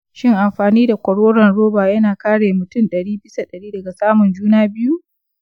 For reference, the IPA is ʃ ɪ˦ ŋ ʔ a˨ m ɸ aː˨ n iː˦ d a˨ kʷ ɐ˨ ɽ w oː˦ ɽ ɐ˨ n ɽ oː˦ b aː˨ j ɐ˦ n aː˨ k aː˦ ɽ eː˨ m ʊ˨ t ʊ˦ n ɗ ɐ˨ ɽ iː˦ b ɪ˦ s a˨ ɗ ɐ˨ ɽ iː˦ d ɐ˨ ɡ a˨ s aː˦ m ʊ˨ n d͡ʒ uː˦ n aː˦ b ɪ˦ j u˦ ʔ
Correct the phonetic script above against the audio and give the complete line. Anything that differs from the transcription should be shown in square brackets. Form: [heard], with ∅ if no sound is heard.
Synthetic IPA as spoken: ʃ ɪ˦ ŋ ʔ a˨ m ɸ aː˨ n iː˦ d a˨ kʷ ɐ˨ ɽ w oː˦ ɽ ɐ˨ n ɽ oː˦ b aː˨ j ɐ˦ n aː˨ k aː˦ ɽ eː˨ m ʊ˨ t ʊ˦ n ɗ ɐ˨ ɽ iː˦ b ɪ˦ s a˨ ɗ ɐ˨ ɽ iː˦ d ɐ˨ ɡ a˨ s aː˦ m ʊ˨ n d͡ʒ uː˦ n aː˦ b ɪ˦ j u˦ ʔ